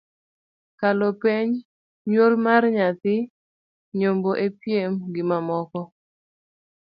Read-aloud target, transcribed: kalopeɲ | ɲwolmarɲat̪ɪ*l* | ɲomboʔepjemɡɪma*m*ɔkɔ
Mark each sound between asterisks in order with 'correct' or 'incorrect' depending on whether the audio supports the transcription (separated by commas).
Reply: incorrect, correct